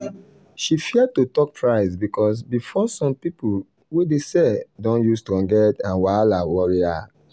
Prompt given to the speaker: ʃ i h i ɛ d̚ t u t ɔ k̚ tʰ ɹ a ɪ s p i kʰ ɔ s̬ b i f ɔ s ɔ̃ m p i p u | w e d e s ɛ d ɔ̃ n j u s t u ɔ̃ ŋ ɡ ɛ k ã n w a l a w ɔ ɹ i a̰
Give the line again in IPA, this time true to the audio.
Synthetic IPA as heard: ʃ i f i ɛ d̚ t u t ɔ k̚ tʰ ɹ a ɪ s b i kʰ ɔ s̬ b i f ɔ s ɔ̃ m p i p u | w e d e s ɛ d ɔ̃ n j u s t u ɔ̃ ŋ ɡ ɛ t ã n w a l a w ɔ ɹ i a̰